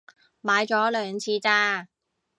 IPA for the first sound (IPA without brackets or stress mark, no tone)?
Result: m